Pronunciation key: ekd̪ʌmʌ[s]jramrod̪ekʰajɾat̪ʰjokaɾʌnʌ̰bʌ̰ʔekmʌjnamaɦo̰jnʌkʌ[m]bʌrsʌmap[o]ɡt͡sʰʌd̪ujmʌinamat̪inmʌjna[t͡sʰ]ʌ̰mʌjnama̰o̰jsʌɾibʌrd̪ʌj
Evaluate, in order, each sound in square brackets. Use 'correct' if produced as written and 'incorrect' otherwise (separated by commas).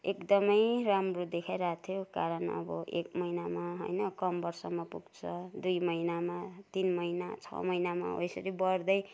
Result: incorrect, correct, incorrect, correct